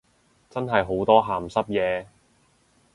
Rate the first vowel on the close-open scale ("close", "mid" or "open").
open